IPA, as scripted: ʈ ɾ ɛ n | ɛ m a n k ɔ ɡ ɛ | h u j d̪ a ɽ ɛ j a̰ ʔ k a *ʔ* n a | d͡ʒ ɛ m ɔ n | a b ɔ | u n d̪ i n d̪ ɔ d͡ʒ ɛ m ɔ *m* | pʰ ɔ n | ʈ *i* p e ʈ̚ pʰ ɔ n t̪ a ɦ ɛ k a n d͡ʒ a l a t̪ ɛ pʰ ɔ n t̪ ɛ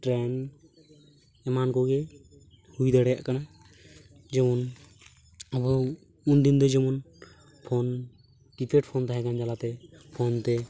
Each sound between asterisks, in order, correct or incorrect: incorrect: none, incorrect: n, correct

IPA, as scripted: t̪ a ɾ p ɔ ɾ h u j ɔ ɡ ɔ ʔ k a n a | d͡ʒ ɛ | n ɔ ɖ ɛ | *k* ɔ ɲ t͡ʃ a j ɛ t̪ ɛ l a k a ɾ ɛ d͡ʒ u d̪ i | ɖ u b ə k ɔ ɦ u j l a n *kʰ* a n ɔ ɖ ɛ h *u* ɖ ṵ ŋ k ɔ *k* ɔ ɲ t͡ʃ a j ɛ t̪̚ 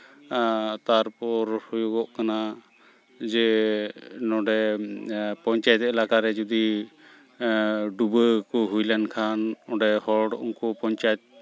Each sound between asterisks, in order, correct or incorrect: incorrect: p, correct, incorrect: ɔ, incorrect: p

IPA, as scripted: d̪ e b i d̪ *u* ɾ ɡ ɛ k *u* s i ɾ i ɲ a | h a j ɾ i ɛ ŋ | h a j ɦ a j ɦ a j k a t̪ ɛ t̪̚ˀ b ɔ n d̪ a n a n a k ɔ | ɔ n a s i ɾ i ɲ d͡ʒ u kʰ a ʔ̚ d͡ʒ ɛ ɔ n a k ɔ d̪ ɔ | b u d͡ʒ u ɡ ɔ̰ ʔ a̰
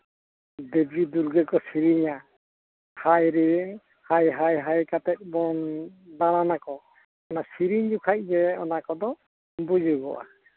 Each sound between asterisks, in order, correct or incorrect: correct, incorrect: ɔ

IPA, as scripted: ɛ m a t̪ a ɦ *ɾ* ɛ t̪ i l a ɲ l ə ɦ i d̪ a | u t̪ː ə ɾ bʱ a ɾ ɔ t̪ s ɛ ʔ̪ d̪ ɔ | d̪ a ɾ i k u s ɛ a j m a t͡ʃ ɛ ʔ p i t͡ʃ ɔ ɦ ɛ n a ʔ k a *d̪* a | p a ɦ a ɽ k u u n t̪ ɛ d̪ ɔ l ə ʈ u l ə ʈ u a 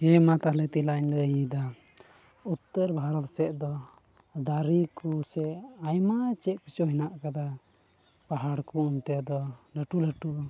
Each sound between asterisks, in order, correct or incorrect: incorrect: l, correct

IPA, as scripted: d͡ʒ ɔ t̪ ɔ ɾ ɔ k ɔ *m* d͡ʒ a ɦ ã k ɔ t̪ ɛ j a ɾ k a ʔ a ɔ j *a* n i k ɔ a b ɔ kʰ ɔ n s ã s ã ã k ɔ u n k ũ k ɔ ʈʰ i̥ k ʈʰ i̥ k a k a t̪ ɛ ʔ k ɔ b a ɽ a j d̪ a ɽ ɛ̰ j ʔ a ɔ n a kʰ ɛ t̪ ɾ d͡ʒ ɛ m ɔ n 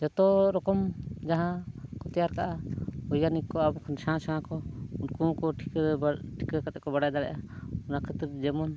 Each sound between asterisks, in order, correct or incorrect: correct, correct

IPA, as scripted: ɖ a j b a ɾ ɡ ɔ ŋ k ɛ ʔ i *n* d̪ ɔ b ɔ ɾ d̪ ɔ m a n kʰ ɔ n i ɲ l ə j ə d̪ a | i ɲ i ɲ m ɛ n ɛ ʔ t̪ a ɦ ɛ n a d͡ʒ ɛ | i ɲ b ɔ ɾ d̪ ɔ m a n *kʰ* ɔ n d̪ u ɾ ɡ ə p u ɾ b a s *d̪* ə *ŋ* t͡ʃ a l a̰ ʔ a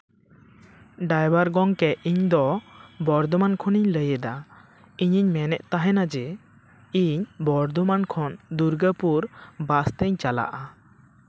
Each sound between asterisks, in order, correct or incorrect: incorrect: ɲ, correct, incorrect: t̪, incorrect: ɲ

